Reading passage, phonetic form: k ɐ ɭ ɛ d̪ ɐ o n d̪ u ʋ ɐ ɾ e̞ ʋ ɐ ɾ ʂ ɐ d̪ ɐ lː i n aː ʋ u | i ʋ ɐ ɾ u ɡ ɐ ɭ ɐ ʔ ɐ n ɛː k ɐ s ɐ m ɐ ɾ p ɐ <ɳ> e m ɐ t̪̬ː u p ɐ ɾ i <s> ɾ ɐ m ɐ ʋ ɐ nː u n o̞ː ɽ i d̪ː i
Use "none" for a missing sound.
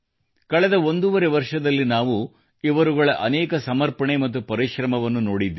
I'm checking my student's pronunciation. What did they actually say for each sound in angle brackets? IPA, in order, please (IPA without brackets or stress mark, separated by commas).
ɳ, ʃ